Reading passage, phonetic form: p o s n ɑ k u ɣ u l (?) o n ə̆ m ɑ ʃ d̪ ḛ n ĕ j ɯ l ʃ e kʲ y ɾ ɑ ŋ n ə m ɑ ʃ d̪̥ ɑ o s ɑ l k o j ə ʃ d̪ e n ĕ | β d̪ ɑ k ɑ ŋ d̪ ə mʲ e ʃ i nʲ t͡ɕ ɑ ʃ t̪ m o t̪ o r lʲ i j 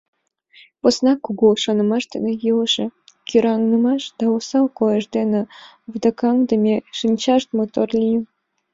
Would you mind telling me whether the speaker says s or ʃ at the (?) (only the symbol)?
ʃ